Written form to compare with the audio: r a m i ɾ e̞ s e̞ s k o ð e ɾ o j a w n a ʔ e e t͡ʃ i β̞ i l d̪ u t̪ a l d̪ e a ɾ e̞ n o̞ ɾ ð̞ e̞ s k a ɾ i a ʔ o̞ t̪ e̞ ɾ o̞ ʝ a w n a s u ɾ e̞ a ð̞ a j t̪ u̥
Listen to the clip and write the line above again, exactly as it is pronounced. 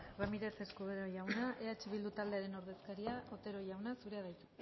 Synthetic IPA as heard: r a m i ɾ e̞ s e̞ s k u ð e ɾ o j a w n a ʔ e a t͡ʃ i β̞ i l d̪ u t̪ a l d̪ e a ɾ e̞ n o̞ ɾ ð̞ e̞ s k a ɾ i a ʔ o̞ t̪ e̞ ɾ o̞ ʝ a w n a s u ɾ e̞ a ð̞ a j t̪ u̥